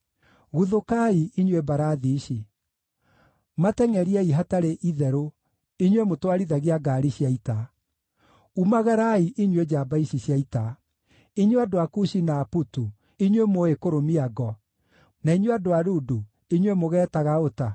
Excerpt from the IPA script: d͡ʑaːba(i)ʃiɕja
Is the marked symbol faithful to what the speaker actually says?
yes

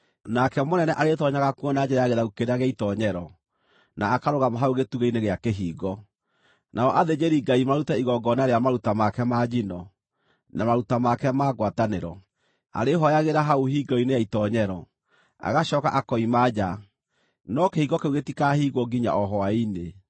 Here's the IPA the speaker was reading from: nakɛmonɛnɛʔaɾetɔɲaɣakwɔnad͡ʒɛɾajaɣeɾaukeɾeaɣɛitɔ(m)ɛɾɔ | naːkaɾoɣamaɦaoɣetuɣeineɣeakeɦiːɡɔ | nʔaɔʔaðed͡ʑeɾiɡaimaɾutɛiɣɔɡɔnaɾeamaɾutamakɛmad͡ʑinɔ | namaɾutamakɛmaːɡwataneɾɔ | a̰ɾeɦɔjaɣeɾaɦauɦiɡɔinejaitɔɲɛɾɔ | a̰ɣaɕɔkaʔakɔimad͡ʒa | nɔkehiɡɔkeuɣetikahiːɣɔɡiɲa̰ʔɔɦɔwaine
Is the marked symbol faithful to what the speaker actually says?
no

